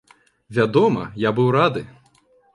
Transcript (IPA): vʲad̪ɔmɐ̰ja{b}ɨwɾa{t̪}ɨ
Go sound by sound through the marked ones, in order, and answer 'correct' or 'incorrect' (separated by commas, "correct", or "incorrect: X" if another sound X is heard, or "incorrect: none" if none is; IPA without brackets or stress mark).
correct, incorrect: d̪